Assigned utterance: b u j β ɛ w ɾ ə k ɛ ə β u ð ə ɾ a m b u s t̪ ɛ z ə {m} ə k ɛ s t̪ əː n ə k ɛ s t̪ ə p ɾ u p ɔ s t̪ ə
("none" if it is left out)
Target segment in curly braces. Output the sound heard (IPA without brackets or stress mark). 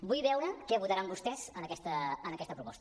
n